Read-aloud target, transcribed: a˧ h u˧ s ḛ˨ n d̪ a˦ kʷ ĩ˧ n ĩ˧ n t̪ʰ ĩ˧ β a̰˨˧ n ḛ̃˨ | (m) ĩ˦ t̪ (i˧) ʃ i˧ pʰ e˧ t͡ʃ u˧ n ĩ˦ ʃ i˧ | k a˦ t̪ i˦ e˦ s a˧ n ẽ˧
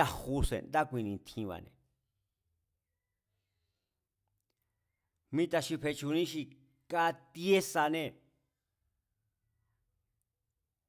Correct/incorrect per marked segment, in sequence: correct, incorrect: a˧

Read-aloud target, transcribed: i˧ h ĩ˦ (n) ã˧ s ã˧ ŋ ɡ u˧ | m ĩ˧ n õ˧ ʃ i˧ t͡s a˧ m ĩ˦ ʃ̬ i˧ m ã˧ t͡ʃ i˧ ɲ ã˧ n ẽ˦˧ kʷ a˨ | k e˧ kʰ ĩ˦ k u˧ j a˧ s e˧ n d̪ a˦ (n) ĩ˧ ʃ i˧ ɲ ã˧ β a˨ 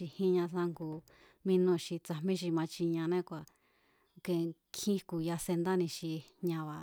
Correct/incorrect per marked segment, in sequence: incorrect: ɲ, correct

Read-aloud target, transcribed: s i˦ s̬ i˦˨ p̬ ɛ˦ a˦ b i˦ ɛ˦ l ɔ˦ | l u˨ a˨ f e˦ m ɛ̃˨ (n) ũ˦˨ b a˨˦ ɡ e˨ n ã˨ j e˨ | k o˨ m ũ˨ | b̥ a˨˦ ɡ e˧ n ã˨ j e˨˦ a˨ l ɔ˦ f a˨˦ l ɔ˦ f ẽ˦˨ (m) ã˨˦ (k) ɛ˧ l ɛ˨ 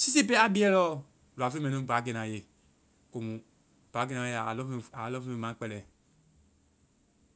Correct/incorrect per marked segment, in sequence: correct, correct, incorrect: k͡p

